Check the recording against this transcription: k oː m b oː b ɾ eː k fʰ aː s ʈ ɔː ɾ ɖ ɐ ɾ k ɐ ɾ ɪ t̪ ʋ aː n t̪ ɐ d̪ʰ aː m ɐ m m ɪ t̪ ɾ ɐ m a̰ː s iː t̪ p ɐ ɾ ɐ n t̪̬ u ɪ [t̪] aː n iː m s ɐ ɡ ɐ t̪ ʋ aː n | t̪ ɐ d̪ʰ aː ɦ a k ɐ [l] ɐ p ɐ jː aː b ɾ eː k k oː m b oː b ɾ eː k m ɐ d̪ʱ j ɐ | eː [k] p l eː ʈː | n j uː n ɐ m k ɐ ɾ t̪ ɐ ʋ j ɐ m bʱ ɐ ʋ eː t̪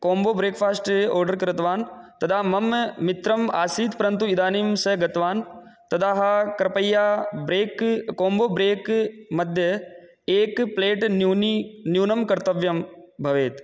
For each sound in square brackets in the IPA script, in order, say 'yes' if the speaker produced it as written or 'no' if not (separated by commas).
no, no, yes